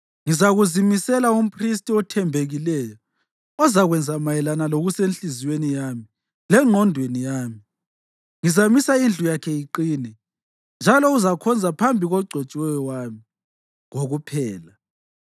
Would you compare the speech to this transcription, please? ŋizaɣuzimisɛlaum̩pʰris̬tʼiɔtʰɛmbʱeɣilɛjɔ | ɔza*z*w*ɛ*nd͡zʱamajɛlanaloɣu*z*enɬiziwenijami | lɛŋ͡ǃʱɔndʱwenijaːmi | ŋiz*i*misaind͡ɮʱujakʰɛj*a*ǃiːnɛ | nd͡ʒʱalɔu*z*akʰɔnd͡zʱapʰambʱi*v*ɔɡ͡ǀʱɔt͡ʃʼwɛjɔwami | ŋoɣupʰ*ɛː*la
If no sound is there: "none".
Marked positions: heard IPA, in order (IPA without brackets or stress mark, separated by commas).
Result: ɣ, ɛ, s, a, i, z, ɣ, ɛː